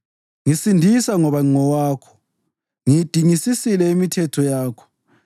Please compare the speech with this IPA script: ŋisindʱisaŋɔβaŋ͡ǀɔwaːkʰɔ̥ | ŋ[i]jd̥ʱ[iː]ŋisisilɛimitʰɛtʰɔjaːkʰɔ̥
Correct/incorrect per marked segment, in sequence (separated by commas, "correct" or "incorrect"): correct, incorrect